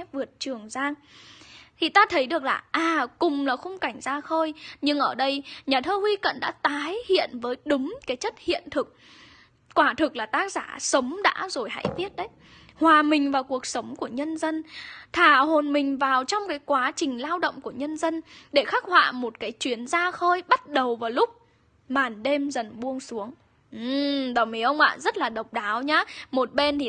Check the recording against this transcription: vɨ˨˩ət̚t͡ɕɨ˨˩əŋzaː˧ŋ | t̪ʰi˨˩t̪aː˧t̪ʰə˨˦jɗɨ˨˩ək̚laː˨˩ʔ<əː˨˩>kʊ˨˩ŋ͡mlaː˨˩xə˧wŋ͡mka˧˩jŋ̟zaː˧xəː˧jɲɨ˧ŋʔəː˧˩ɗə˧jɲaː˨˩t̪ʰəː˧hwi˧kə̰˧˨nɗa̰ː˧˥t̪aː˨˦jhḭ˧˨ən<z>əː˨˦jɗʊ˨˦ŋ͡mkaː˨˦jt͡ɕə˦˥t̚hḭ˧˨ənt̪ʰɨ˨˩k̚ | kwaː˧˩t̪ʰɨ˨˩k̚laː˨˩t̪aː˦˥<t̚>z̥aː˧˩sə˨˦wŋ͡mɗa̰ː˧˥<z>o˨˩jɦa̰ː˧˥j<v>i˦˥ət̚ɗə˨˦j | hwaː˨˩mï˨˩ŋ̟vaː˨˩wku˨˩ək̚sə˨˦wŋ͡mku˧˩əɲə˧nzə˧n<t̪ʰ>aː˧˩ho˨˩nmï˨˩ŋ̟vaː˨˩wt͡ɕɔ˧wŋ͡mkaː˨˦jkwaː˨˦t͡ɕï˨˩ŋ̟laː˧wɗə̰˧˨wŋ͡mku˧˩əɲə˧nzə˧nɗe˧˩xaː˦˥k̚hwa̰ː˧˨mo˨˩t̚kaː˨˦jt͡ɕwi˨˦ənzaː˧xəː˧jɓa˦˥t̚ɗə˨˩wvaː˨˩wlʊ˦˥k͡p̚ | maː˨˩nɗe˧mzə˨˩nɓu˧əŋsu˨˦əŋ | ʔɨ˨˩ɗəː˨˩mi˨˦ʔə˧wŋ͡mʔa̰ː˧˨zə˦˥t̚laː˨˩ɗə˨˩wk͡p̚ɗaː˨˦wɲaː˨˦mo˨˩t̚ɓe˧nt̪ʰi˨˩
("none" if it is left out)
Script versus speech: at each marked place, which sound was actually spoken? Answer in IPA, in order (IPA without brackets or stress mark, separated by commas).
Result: aː˨˩, v, k̚, z, v, t̪ʰ